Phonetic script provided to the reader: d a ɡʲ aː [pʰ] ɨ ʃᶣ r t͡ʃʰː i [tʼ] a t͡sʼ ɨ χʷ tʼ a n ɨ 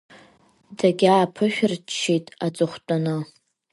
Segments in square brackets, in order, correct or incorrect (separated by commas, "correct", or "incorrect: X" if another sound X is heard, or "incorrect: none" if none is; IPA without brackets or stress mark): correct, correct